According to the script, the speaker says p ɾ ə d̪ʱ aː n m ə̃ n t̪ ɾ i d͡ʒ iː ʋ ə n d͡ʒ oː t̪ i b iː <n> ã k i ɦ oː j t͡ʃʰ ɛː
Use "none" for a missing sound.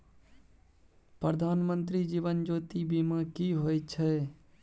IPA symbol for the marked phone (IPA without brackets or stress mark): m